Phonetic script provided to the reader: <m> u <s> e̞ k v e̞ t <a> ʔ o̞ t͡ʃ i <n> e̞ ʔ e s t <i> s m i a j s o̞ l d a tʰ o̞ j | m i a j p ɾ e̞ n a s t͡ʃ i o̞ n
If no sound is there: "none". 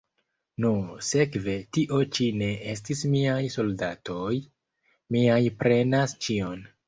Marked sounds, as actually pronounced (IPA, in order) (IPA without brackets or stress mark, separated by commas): n, s, i, n, i